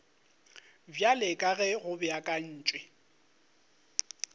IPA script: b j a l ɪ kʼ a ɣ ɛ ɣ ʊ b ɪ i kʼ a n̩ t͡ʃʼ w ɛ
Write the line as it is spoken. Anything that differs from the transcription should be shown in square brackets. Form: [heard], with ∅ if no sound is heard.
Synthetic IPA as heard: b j a l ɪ kʼ a ɣ ɛ ɣ ʊ b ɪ [a] kʼ a [n̩ː] t͡ʃʼ w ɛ